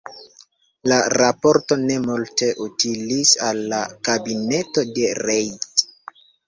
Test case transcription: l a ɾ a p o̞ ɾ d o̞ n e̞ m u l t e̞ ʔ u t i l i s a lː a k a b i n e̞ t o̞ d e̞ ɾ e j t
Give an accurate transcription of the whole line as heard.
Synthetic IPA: l a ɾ a p o̞ ɾ t o̞ n e̞ m u l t e̞ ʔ u t i l i s a lː a k a b i n e̞ t o̞ d e̞ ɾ e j t